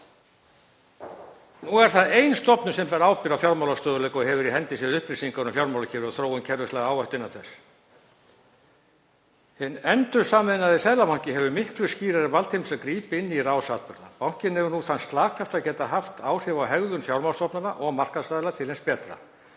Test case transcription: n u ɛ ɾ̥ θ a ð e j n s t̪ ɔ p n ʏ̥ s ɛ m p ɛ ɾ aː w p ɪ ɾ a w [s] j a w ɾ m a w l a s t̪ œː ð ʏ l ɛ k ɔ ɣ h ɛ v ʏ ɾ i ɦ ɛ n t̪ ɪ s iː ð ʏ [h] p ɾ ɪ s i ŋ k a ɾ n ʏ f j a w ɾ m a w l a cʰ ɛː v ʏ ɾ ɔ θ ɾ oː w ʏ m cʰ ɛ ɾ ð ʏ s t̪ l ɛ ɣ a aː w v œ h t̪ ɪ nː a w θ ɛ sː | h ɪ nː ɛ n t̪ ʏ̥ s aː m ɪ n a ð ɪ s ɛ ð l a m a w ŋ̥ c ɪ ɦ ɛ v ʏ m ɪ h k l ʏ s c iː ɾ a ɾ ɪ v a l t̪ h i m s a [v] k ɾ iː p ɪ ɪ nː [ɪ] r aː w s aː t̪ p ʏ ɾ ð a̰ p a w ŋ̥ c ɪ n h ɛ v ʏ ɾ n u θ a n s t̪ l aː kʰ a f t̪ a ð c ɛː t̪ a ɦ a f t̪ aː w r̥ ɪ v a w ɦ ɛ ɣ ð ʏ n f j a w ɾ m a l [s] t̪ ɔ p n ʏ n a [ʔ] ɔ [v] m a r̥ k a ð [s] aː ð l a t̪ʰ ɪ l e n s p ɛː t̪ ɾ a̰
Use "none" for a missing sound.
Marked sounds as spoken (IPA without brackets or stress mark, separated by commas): f, h, ð, i, s, ʔ, ɣ, s